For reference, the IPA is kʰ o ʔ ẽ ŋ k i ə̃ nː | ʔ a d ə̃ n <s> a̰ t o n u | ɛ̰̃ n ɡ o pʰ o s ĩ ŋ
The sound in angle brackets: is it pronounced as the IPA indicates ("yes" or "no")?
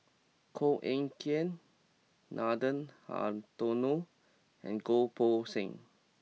no